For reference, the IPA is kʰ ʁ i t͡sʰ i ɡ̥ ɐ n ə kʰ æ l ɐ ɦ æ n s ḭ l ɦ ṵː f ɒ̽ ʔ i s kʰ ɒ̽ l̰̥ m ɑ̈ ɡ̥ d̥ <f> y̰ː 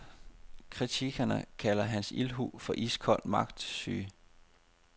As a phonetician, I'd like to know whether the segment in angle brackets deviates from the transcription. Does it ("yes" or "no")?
yes